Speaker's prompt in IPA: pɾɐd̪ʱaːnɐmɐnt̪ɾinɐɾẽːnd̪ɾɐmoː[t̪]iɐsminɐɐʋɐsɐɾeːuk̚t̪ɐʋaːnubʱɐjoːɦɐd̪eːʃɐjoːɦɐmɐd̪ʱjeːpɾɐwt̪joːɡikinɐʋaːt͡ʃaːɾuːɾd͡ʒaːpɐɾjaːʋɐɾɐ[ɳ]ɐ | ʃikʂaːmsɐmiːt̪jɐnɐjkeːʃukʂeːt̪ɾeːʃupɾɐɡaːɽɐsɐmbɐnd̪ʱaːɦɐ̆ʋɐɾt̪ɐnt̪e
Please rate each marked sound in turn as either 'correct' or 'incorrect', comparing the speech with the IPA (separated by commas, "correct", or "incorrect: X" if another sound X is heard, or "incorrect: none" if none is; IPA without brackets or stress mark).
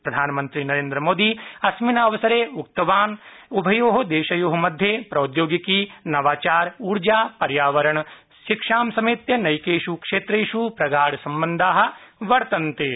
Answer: incorrect: d̪, correct